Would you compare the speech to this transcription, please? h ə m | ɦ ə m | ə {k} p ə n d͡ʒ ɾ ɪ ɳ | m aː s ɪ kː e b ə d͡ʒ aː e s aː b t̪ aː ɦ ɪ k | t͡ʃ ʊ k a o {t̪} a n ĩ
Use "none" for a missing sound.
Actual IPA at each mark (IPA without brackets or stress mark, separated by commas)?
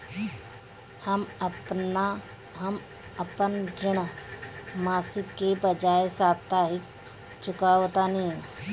none, t̪